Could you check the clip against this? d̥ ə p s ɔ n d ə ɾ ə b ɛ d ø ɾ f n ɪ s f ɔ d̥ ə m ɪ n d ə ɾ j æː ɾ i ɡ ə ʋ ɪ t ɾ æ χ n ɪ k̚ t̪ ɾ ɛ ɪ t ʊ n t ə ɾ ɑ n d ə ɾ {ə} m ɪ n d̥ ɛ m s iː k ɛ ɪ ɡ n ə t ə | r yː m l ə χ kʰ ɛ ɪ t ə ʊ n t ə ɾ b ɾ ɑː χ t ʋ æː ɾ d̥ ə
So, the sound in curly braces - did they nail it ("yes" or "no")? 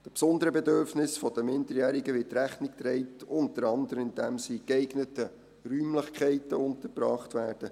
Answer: yes